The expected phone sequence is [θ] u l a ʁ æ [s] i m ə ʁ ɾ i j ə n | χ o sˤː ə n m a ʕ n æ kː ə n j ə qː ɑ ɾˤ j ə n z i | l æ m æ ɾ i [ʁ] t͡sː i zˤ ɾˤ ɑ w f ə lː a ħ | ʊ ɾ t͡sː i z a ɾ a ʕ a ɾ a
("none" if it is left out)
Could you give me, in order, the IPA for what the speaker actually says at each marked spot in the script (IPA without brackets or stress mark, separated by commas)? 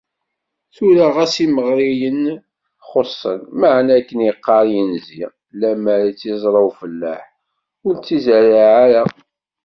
θ, s, none